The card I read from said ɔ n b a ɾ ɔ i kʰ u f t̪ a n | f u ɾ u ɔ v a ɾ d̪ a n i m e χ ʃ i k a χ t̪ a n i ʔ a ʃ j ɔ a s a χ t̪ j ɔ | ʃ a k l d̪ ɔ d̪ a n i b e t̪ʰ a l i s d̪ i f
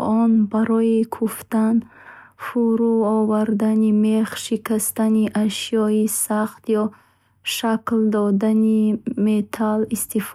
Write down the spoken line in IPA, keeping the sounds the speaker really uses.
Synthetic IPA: ɔ n b a ɾ ɔ i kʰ u f t̪ a n | f u ɾ u ɔ v a ɾ d̪ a n i m e χ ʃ i k a s t̪ a n i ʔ a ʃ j ɔ i s a χ t̪ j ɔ | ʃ a k l d̪ ɔ d̪ a n i m e t̪ʰ a l i s t̪ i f